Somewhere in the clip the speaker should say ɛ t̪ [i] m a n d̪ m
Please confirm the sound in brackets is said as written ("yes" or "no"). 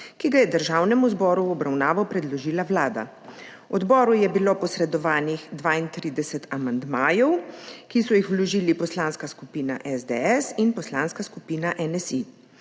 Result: no